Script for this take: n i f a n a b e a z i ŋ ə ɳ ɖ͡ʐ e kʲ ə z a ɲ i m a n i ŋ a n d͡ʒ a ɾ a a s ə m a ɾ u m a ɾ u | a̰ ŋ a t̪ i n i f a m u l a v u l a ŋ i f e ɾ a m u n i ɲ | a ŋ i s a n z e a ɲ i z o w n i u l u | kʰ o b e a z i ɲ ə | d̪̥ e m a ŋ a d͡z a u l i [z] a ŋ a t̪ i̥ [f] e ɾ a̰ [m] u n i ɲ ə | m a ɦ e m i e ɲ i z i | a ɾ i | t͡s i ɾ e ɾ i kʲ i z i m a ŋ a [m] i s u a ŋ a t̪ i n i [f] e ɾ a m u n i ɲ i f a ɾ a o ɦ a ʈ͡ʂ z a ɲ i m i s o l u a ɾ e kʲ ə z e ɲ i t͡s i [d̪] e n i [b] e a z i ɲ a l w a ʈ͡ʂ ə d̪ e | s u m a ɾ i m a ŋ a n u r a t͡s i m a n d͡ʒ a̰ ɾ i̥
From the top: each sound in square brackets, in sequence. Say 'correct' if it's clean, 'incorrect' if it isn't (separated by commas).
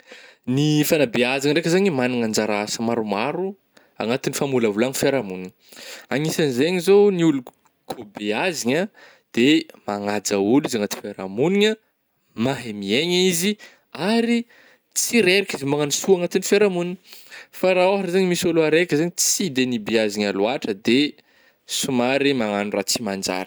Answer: correct, correct, correct, incorrect, correct, correct, correct